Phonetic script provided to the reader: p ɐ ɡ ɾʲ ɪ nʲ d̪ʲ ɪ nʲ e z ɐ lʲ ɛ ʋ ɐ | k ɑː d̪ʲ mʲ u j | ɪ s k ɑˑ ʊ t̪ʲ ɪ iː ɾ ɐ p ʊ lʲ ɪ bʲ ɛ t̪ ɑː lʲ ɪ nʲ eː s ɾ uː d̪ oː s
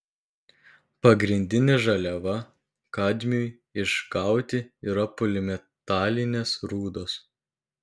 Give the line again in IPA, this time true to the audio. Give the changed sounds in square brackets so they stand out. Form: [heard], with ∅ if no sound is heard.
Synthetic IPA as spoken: p ɐ ɡ ɾʲ ɪ nʲ d̪ʲ ɪ nʲ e [ʒ] ɐ lʲ ɛ ʋ ɐ | k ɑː d̪ʲ mʲ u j | ɪ [ʃ] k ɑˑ ʊ t̪ʲ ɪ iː ɾ ɐ p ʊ lʲ ɪ [mʲ] ɛ t̪ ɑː lʲ ɪ nʲ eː s ɾ uː d̪ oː s